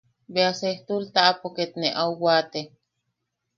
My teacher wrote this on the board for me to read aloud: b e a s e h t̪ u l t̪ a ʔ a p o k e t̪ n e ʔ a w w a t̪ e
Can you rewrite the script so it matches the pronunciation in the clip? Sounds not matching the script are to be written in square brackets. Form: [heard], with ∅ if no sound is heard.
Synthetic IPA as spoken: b e a s e h t̪ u l t̪ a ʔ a p o k e t̪ n e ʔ a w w a t̪ e